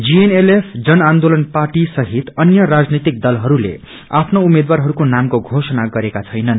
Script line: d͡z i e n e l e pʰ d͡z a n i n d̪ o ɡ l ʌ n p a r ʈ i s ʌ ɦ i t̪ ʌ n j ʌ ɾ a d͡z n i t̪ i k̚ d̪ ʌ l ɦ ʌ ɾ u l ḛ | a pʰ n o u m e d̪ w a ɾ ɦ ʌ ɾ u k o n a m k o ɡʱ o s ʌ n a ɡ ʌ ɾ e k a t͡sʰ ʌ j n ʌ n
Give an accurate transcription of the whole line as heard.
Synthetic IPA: d͡z i e n e l e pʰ d͡z ʌ n a n d̪ o l ʌ n p a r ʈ i s ʌ ɦ i t̪ ʌ n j ʌ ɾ a d͡z n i t̪ i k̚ d̪ ʌ l ɦ ʌ ɾ u l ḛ | a pʰ n o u m e d̪ w a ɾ ɦ ʌ ɾ u k o n a m k o ɡʱ o s ʌ n a ɡ ʌ ɾ e k a t͡sʰ ʌ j n ʌ n